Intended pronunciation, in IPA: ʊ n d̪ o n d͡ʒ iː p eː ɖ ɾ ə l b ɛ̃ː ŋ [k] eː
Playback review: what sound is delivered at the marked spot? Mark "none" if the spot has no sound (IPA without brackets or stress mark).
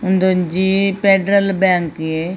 k